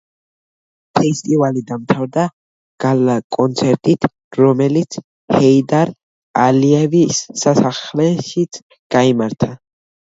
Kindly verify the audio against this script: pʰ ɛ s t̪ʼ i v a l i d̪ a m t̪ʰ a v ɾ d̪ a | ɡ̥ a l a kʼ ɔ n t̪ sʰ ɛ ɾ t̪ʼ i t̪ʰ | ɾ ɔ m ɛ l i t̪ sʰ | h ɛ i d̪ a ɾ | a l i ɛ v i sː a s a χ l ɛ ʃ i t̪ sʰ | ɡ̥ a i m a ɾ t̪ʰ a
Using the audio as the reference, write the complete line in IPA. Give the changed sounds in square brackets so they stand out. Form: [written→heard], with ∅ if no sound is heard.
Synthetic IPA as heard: pʰ ɛ s t̪ʼ i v a l i d̪ a m t̪ʰ a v ɾ d̪ a | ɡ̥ a l a kʼ ɔ n t̪ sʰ ɛ ɾ t̪ʼ i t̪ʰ | ɾ ɔ m ɛ l i t̪ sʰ | h ɛ i d̪ a ɾ | a l i ɛ v i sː a s a χ l ɛ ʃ i t̪ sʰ | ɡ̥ a i m a ɾ t̪ʰ a